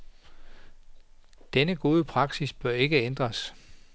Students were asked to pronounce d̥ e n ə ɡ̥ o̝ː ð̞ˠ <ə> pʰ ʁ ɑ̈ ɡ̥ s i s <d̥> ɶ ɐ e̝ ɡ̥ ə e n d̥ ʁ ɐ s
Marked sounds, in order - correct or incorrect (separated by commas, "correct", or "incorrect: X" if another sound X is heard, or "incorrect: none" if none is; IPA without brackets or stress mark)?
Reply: correct, incorrect: b̥